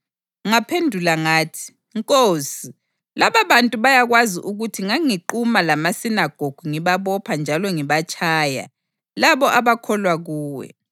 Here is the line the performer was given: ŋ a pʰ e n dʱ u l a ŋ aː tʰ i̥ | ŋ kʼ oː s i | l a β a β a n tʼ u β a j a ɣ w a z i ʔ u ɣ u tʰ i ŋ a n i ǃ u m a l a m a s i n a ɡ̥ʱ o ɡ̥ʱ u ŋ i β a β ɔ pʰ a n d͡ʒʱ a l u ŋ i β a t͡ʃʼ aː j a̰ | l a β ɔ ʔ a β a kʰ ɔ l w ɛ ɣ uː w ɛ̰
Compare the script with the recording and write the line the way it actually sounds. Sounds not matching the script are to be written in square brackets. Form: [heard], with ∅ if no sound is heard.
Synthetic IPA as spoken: ŋ a pʰ e n dʱ u l a ŋ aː tʰ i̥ | ŋ kʼ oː s i | l a β a β a n tʼ u β a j a ɣ w a z i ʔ u ɣ u tʰ i ŋ a [ŋ] i ǃ u m a l a m a s i n a ɡ̥ʱ o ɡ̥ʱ u ŋ i β a β ɔ pʰ a n d͡ʒʱ a l [ɔ] ŋ i β a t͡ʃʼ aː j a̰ | l a β ɔ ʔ a β a kʰ ɔ l w [a] ɣ uː w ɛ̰

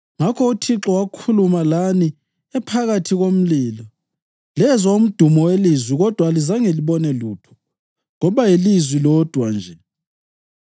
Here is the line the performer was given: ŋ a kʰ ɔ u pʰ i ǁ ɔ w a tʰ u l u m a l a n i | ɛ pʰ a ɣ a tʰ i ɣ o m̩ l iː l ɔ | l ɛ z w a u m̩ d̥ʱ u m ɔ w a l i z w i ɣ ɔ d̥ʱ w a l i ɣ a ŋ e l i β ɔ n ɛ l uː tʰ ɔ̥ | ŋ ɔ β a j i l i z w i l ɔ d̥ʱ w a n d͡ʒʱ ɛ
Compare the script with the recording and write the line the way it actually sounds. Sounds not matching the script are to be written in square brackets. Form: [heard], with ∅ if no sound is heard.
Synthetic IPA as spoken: ŋ a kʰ ɔ u [tʰ] i ǁ ɔ w a [kʰ] u l u m a l a n i | ɛ pʰ a ɣ a tʰ i ɣ o m̩ l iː l ɔ | l ɛ z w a u m̩ d̥ʱ u m ɔ w [e] l i z w i ɣ ɔ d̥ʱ w a l i [z] a ŋ e l i β ɔ n ɛ l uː tʰ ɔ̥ | ŋ ɔ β a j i l i z w i l ɔ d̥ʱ w a n d͡ʒʱ ɛ

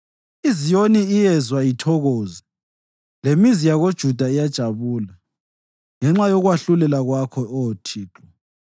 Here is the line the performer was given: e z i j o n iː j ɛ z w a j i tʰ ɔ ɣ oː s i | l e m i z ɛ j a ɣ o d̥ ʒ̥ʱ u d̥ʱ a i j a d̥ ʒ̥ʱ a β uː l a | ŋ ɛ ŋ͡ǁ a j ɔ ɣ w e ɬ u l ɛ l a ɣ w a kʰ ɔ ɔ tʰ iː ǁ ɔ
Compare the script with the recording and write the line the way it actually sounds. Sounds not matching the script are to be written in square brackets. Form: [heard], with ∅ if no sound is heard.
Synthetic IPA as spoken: [i] z i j o n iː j ɛ z w a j i tʰ ɔ ɣ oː [z] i | l e m i z [i] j a ɣ o d̥ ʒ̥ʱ u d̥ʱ a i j a d̥ ʒ̥ʱ a β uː l a | ŋ ɛ ŋ͡ǁ a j ɔ ɣ w [a] ɬ u l ɛ l a ɣ w a kʰ ɔ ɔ tʰ iː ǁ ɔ

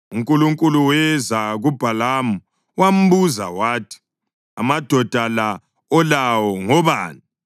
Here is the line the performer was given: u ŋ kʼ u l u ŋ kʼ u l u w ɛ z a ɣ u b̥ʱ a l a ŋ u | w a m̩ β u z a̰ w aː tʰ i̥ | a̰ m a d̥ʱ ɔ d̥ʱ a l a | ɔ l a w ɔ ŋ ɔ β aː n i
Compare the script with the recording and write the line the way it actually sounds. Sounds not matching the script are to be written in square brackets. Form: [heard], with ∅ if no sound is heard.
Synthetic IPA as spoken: u ŋ kʼ u l u ŋ kʼ u l u w ɛ z a ɣ u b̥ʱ a l a [m] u | w a m̩ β u z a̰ w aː tʰ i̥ | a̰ m a d̥ʱ ɔ d̥ʱ a l a | ɔ l a w ɔ ŋ ɔ β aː n i

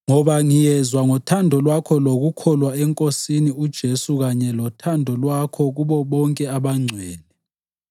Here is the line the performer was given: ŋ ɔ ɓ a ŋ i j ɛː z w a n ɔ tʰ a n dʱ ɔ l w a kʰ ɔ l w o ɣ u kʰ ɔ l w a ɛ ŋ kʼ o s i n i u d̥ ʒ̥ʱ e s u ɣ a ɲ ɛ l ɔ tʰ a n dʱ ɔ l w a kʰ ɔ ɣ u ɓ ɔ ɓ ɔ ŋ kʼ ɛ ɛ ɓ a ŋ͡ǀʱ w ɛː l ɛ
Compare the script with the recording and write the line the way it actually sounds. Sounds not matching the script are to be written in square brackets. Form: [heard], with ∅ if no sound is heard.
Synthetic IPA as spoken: ŋ ɔ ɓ a ŋ i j [ɛ] z w a [ŋ] ɔ tʰ a n dʱ ɔ l w a kʰ ɔ l w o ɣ u kʰ ɔ l w a ɛ ŋ kʼ o s i n i u d̥ ʒ̥ʱ e s u ɣ a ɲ ɛ l ɔ tʰ a n dʱ ɔ l w a kʰ ɔ ɣ u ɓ ɔ ɓ ɔ ŋ kʼ ɛ [a] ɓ a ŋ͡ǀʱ w ɛː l ɛ

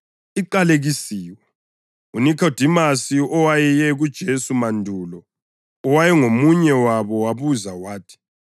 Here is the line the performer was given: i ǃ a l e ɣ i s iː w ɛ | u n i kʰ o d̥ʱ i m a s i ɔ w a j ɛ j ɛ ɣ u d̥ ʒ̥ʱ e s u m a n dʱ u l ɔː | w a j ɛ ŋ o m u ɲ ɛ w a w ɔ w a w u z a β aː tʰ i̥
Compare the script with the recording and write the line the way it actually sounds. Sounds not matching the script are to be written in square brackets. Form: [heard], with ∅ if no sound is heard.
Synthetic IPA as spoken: i ǃ a l e ɣ i s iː w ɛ | u n i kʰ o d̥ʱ i m a s i ɔ w a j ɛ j ɛ ɣ u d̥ ʒ̥ʱ e s u m a n dʱ u l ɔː | w a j ɛ ŋ o m u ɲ ɛ w a [β] ɔ w a [β] u z a [w] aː tʰ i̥

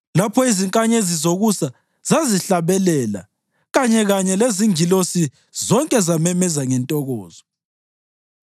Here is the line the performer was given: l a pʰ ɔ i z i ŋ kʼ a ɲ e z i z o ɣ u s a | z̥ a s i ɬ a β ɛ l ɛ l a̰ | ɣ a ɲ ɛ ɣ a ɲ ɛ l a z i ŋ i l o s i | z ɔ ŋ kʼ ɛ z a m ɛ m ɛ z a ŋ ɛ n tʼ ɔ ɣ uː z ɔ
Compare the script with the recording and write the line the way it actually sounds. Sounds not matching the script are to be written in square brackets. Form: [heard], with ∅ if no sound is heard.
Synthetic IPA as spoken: l a pʰ ɔ i z i ŋ kʼ a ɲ e z i z o ɣ u s a | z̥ a [z] i ɬ a β ɛ l ɛ l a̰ | ɣ a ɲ ɛ ɣ a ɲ ɛ l [e] z i ŋ i l o s i | z ɔ ŋ kʼ ɛ z a m ɛ m ɛ z a ŋ ɛ n tʼ ɔ ɣ [ɔː] z ɔ

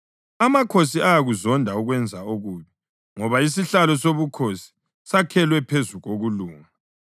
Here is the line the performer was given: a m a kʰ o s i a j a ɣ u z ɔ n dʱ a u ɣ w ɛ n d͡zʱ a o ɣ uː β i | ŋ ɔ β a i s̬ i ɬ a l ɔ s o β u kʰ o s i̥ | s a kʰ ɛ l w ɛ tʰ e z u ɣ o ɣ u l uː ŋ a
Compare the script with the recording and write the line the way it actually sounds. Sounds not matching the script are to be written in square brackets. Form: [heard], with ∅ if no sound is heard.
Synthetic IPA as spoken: a m a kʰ o s i a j a ɣ u z ɔ n dʱ a u ɣ w ɛ n d͡zʱ a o ɣ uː β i | ŋ ɔ β a i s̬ i ɬ a l ɔ s o β u kʰ o s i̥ | s a kʰ ɛ l w ɛ [pʰ] e z u ɣ o ɣ u l uː ŋ a

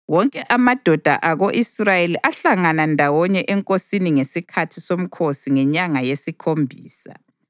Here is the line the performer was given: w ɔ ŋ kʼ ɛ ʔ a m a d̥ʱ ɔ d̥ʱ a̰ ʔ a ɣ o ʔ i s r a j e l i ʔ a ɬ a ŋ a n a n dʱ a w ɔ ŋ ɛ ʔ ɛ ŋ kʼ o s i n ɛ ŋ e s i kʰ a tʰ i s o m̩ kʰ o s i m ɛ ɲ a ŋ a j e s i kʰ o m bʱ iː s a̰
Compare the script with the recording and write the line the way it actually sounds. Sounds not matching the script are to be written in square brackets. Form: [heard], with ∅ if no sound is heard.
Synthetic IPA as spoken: w ɔ ŋ kʼ ɛ ʔ a m a d̥ʱ ɔ d̥ʱ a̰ ʔ a ɣ o ʔ i s r a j e l i ʔ a ɬ a ŋ a n a n dʱ a w ɔ [ɲ] ɛ ʔ ɛ ŋ kʼ o s i n [i] ŋ e s i kʰ a tʰ i s o m̩ kʰ o s i [ŋ] ɛ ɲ a ŋ a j e s i kʰ o m bʱ iː s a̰

